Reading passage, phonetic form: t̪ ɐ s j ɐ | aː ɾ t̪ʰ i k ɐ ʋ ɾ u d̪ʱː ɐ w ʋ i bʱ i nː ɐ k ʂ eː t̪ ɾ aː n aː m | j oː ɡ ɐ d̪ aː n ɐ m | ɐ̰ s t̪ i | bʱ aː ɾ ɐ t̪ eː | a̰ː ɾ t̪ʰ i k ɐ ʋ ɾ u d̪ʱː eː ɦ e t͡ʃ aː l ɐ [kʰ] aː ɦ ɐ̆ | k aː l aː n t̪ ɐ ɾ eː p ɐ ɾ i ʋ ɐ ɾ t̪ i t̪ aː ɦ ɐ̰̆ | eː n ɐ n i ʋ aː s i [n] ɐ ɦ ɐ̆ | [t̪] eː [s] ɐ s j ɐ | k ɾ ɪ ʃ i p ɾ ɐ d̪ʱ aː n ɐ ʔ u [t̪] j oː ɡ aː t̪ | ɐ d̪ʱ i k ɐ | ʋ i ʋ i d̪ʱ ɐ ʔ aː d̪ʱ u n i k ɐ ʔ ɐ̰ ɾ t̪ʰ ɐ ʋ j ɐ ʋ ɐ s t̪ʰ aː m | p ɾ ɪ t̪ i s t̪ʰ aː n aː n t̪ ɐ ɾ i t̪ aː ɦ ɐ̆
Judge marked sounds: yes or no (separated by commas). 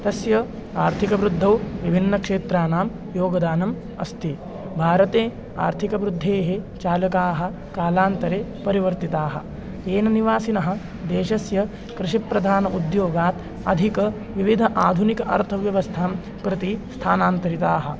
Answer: no, yes, no, no, no